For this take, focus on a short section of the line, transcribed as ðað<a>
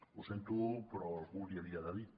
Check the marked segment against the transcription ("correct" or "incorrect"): incorrect